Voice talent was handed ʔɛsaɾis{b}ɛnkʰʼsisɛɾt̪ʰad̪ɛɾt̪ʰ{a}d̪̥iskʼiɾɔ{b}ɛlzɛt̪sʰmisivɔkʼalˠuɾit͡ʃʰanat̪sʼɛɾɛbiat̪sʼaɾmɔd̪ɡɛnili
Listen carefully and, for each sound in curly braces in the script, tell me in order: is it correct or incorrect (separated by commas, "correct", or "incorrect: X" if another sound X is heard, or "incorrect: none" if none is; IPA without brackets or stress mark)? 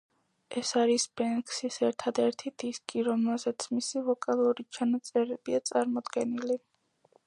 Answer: correct, incorrect: i, incorrect: m